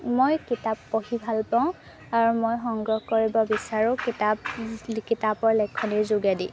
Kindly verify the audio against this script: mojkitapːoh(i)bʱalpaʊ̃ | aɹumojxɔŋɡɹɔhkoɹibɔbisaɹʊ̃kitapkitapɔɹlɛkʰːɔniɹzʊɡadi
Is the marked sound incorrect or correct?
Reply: correct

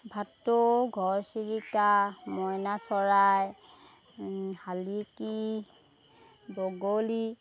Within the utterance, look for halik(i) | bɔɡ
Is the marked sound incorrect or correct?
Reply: correct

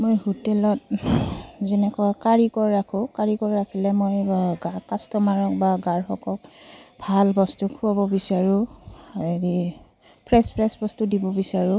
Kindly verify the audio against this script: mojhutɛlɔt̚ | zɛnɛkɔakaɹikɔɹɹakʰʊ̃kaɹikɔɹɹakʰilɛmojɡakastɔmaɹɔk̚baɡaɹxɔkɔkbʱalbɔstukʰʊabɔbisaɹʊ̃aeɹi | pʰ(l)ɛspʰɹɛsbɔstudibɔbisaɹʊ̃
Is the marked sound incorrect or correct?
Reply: incorrect: ɹ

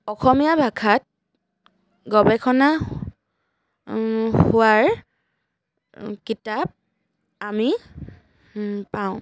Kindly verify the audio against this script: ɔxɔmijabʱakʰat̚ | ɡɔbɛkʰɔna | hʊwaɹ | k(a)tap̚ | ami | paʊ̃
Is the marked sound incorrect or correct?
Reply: incorrect: i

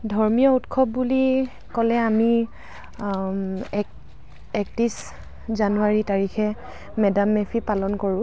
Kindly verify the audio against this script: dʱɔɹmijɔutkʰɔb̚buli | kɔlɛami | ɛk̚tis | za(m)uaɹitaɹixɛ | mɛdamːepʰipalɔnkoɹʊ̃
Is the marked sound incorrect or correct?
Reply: incorrect: n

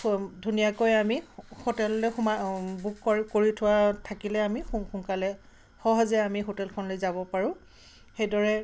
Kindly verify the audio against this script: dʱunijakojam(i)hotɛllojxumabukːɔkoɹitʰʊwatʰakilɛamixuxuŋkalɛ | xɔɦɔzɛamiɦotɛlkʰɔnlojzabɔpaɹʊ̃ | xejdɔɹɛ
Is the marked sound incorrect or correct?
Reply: correct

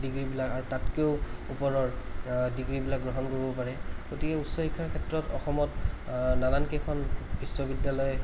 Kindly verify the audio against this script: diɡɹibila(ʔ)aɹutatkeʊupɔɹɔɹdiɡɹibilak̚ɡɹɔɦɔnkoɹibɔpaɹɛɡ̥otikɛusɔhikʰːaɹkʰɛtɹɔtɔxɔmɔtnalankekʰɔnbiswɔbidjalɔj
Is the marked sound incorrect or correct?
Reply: incorrect: k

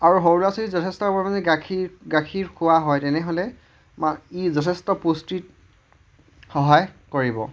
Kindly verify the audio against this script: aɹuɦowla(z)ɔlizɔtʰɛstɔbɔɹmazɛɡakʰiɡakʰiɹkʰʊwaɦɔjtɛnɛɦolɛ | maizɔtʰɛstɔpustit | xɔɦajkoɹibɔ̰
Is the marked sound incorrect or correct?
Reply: incorrect: s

